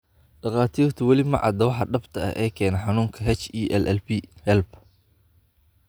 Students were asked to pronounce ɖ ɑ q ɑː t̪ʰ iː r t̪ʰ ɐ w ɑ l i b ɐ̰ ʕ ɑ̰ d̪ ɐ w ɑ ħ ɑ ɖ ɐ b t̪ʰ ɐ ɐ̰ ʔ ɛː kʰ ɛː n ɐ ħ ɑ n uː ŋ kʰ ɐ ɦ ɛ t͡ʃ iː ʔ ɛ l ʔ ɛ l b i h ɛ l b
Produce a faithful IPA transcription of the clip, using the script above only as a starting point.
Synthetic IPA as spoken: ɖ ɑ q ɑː t̪ʰ iː r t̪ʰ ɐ w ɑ l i m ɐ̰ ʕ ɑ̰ d̪ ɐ w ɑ ħ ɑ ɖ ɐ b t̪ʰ ɐ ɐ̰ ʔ ɛː kʰ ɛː n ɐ ħ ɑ n uː ŋ kʰ ɐ ɦ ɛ t͡ʃ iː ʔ ɛ l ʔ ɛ l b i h ɛ l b